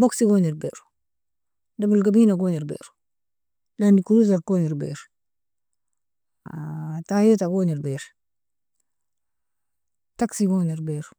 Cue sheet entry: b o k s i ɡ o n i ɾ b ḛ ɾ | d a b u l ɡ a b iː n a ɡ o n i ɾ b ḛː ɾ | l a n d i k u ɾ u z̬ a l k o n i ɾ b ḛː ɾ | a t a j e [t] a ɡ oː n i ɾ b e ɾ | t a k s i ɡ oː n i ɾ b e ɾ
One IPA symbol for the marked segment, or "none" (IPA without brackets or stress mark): t